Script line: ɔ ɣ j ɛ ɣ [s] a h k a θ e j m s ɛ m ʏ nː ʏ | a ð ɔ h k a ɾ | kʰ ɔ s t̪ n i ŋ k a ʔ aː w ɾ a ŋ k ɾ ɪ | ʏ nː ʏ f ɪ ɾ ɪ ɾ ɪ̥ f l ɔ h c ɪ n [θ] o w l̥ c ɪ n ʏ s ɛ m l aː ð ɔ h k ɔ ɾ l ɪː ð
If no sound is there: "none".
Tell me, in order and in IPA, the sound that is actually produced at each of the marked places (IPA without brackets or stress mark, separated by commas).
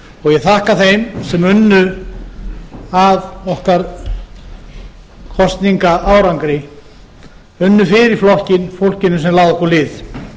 θ, f